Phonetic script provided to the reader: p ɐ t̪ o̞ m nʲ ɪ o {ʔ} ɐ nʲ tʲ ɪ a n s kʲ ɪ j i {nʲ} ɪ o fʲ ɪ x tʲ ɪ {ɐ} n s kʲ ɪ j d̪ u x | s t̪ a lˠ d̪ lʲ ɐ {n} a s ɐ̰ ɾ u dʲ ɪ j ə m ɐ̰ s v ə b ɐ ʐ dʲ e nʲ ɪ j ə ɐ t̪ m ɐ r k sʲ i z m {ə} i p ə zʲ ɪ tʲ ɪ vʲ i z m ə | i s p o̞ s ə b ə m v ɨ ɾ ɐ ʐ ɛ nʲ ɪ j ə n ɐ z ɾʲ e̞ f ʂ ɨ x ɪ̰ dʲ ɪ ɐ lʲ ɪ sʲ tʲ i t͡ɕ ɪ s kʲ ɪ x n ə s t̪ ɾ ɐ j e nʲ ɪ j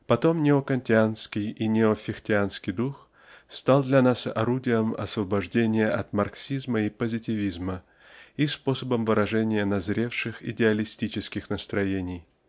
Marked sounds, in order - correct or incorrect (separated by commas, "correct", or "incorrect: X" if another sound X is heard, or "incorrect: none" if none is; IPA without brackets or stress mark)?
incorrect: k, correct, incorrect: a, correct, correct